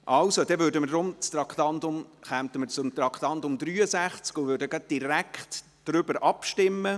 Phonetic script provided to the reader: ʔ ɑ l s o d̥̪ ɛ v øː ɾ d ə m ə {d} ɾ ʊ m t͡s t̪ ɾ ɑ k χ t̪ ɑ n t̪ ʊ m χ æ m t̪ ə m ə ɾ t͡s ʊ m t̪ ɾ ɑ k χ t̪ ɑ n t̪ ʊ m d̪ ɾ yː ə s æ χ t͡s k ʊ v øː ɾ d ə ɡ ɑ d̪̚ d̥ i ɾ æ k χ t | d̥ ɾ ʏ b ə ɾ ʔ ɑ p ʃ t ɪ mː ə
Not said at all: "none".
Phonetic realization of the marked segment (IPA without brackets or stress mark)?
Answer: d